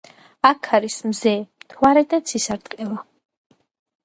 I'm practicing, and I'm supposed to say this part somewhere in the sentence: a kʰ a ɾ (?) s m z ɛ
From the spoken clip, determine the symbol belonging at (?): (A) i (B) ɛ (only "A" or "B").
A